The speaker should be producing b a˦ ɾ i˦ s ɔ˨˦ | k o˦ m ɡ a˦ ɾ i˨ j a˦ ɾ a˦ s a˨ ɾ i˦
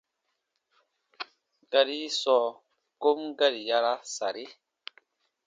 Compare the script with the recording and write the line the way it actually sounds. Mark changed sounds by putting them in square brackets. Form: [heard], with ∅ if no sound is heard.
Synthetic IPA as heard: [ɡ] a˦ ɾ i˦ s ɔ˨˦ | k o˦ m ɡ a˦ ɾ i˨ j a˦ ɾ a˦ s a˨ ɾ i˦